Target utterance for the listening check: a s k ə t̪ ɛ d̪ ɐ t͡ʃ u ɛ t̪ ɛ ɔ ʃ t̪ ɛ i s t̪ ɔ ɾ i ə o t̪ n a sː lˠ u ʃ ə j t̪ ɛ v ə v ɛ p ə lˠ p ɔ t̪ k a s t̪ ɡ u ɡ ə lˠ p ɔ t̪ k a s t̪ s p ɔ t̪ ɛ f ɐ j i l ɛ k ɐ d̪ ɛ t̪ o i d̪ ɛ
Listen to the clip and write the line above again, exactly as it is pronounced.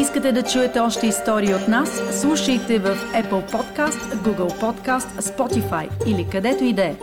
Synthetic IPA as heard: i s k ə t̪ ɛ d̪ ɐ t͡ʃ u ɛ t̪ ɛ ɔ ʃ t̪ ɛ i s t̪ ɔ ɾ i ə o t̪ n a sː lˠ u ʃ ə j t̪ ɛ v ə f ɛ p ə lˠ p ɔ t̪ k a s t̪ ɡ u ɡ ə lˠ p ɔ t̪ k a s t̪ s p ɔ t̪ i f a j i l i k ɐ d̪ ɛ t̪ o i d̪ ɛ